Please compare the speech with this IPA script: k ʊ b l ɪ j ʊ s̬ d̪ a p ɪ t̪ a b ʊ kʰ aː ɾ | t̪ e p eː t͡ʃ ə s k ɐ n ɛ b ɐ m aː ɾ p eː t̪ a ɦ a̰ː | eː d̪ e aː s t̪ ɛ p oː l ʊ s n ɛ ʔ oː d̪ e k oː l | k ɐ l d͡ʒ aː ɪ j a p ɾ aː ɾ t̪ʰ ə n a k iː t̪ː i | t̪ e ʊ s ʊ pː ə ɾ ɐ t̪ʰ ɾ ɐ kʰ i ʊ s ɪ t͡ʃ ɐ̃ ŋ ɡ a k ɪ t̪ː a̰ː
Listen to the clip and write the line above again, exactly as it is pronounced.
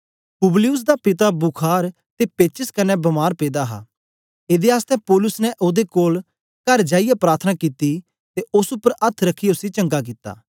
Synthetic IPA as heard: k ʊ b l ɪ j ʊ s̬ d̪ a p ɪ t̪ a b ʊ kʰ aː ɾ | t̪ e p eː t͡ʃ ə s k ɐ n ɛ b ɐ m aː ɾ p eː d̪ a ɦ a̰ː | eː d̪ e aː s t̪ ɛ p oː l ʊ s n ɛ ʔ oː d̪ e k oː l | k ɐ ɾ d͡ʒ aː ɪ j a p ɾ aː ɾ t̪ʰ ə n a k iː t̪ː i | t̪ e ʊ s ʊ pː ə ɾ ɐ t̪ʰ ɾ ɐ kʰ i ʊ s i t͡ʃ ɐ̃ ŋ ɡ a k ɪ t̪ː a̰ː

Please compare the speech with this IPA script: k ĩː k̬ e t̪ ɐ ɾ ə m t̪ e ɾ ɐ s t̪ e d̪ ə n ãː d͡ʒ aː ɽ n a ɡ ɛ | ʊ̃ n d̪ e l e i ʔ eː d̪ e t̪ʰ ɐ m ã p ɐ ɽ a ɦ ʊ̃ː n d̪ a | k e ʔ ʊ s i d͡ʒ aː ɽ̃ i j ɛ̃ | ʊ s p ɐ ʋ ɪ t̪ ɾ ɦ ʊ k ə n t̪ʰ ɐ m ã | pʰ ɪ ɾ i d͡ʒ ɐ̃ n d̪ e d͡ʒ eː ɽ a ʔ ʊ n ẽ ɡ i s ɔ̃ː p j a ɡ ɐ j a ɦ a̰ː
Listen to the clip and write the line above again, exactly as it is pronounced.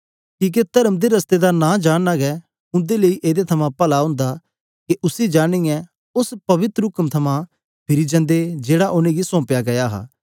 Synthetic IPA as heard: k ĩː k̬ e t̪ ɐ ɾ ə m d̪ e ɾ ɐ s t̪ e d̪ a n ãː d͡ʒ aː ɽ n a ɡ ɛ | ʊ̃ n d̪ e l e i ʔ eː d̪ e t̪ʰ ɐ m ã p ɐ l a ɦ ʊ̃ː n d̪ a | k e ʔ ʊ s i d͡ʒ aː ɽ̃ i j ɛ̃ | ʊ s p ɐ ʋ ɪ t̪ ɾ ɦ ʊ k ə m t̪ʰ ɐ m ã | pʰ ɪ ɾ i d͡ʒ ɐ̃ n d̪ e d͡ʒ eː ɽ a ʔ ʊ n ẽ ɡ i s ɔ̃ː p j a ɡ ɐ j a ɦ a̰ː

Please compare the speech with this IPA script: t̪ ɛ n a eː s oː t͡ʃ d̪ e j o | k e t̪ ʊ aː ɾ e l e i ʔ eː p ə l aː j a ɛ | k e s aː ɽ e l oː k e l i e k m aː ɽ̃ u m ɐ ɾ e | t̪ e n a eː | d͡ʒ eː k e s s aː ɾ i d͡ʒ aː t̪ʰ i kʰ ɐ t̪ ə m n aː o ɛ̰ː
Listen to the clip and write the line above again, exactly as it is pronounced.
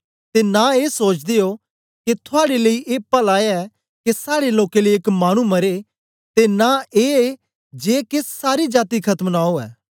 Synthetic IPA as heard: t̪ e n a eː s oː t͡ʃ d̪ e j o | k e t̪ʰ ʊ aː ɽ e l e i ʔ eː p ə l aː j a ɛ | k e s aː ɽ e l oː k e l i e k m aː ɽ̃ u m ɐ ɾ e | t̪ e n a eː | d͡ʒ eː k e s s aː ɾ i d͡ʒ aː t̪ i kʰ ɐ t̪ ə m n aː o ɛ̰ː

